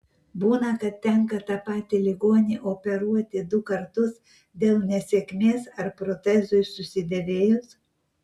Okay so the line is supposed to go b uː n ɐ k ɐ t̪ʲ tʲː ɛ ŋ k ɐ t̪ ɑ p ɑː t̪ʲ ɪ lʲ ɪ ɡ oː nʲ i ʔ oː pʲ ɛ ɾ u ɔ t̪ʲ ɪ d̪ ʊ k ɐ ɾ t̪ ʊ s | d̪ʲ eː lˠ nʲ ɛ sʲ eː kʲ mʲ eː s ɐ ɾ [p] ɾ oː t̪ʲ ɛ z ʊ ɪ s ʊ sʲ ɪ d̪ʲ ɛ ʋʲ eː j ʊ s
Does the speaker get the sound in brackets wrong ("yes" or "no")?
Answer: no